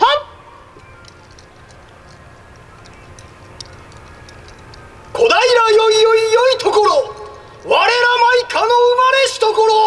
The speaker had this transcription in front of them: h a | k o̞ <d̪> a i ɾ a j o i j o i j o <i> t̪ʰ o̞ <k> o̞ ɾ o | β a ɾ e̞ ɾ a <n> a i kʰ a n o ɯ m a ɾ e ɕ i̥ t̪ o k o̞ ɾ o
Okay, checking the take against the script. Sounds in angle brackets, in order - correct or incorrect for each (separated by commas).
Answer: correct, correct, correct, incorrect